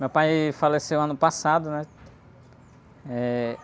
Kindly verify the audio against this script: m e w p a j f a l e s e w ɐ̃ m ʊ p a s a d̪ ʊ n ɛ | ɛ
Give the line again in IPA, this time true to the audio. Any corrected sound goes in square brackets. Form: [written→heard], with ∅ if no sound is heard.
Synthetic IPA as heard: m e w p a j f a l e s e w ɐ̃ [m→n] ʊ p a s a d̪ ʊ n ɛ | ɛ